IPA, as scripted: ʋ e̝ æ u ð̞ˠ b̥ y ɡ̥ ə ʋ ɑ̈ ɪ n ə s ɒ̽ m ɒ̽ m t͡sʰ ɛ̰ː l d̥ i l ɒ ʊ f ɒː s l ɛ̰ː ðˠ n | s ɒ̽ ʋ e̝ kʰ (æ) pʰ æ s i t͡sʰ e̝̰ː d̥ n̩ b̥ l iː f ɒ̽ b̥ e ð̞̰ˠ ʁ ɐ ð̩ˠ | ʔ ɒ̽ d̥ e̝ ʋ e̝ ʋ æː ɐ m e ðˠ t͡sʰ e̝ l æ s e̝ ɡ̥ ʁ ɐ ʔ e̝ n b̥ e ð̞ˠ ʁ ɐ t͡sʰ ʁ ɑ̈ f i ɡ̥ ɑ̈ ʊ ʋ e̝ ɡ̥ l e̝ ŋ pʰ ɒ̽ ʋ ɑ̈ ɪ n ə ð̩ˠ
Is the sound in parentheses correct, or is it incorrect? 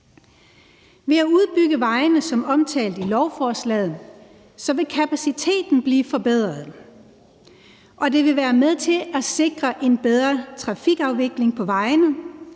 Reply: correct